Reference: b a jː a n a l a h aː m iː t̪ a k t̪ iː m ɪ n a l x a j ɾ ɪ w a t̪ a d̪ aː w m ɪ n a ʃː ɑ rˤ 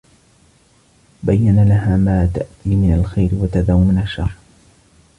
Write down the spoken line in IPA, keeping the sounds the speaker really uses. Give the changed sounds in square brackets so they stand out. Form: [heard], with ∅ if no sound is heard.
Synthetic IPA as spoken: b a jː a n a l a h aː m [aː] t̪ a [ʔ] t̪ iː m ɪ n a l x a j ɾ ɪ w a t̪ a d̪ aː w m ɪ n a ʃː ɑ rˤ